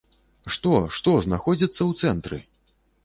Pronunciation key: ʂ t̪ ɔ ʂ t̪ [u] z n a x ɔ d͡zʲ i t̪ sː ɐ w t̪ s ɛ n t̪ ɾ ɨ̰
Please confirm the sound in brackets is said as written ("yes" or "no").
no